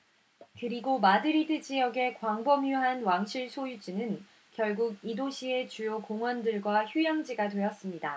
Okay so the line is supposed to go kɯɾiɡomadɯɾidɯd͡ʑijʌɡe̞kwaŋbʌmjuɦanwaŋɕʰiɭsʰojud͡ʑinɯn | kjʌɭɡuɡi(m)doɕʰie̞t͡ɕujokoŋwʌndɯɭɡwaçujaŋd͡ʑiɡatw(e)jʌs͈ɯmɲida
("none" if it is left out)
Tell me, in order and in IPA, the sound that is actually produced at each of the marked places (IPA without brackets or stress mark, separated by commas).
none, e